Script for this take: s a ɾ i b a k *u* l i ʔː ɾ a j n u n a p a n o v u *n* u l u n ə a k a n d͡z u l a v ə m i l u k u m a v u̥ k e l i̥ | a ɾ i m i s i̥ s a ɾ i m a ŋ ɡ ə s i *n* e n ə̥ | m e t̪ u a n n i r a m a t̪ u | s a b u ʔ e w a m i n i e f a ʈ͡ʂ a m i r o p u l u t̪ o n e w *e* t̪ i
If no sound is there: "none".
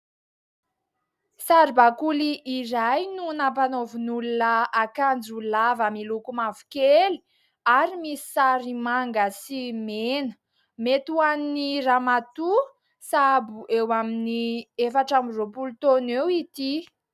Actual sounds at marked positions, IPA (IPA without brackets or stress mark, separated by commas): u, n, m, i